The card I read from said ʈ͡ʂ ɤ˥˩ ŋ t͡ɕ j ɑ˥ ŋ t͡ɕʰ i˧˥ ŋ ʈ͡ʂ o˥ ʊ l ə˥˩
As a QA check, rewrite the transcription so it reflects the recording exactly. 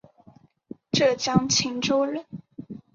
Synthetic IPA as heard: ʈ͡ʂ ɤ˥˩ t͡ɕ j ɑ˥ ŋ t͡ɕʰ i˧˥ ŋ ʈ͡ʂ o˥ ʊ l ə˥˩